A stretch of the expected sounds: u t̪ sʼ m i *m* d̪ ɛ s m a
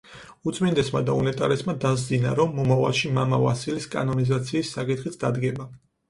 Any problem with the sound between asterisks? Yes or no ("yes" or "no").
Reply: yes